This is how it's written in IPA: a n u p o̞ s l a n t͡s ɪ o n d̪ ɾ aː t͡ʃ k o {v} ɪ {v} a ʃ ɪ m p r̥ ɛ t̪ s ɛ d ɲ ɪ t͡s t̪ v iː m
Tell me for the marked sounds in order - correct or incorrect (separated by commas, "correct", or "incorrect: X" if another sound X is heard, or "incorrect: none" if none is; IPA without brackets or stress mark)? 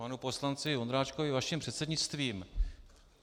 correct, correct